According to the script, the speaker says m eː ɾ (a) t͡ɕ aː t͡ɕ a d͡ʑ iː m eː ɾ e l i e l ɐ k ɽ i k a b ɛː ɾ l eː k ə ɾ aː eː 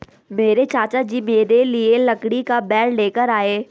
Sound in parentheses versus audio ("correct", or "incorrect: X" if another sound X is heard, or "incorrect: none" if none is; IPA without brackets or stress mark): incorrect: e